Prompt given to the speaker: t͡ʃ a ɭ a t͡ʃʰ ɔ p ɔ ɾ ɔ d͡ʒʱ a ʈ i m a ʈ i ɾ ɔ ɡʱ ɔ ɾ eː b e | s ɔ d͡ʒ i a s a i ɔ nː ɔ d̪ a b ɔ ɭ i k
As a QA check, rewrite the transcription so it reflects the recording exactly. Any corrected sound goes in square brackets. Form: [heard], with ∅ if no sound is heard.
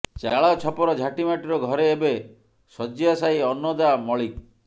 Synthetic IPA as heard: t͡ʃ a ɭ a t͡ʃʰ ɔ p ɔ ɾ ɔ d͡ʒʱ a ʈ i m a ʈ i ɾ ɔ ɡʱ ɔ ɾ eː b e | s ɔ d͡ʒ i a s a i ɔ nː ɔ d̪ a [m] ɔ ɭ i k